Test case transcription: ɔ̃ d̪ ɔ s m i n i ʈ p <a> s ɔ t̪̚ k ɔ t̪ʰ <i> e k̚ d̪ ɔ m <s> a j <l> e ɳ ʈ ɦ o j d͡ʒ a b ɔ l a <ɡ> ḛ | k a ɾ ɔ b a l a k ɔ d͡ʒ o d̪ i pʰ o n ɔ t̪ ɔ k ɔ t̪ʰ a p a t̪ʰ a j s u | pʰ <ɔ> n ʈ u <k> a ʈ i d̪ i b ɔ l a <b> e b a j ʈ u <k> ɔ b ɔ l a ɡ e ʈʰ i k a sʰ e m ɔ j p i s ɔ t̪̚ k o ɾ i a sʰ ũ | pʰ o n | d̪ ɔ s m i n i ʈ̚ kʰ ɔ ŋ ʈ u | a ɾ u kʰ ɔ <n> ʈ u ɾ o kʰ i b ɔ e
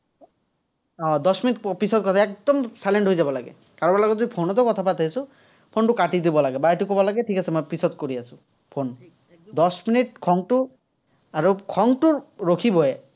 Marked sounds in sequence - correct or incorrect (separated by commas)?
incorrect, incorrect, correct, correct, correct, incorrect, correct, incorrect, correct, incorrect